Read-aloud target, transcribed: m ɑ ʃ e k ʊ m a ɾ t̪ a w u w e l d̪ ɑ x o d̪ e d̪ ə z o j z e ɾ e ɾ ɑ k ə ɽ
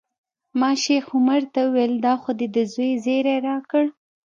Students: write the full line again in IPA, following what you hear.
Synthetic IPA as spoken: m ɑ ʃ e x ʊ m a ɾ t̪ a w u w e l d̪ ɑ x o d̪ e d̪ ə z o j z e ɾ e ɾ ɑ k ə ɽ